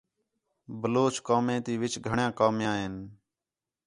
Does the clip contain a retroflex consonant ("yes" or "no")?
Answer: yes